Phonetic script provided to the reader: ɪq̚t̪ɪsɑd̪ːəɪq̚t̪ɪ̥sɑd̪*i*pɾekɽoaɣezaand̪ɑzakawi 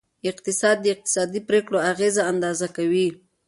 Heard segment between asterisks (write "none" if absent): i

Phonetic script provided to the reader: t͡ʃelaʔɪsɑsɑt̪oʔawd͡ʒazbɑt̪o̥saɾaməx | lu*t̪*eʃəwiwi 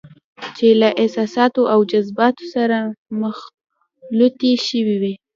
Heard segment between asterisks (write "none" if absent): t̪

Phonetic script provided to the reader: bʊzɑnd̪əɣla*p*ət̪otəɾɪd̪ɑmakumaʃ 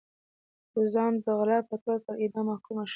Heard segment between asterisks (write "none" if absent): p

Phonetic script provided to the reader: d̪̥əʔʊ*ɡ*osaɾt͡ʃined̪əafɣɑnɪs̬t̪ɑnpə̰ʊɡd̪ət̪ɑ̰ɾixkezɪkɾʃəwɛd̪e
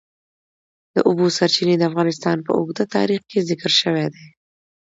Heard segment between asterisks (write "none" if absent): b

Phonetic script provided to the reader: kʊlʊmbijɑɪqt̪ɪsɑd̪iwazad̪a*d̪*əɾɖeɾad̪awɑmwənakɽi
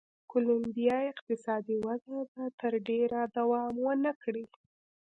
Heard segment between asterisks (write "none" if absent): t̪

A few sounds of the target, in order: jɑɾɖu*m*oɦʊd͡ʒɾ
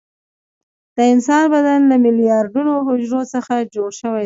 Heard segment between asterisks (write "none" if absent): n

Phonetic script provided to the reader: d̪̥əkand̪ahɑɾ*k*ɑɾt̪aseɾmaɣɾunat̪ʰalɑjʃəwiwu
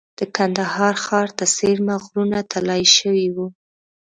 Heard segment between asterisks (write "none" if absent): x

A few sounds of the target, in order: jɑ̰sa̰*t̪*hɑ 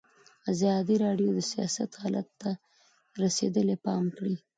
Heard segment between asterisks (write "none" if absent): t̪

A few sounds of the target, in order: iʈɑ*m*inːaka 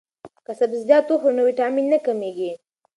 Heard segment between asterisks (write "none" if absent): m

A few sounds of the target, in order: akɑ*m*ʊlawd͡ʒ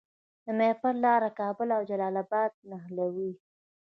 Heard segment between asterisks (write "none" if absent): b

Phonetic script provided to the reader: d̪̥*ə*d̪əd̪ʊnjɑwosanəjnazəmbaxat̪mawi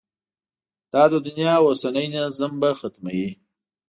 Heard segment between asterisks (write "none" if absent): ɑ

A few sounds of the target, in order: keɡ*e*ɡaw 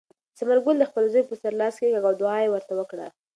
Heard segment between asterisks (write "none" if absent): a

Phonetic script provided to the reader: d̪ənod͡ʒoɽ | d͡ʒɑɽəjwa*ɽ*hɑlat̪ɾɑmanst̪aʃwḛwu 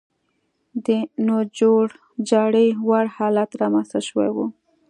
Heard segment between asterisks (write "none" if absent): ɽ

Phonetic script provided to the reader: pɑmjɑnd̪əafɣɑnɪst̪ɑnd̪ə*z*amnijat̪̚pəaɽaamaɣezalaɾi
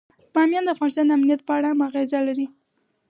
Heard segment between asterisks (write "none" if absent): none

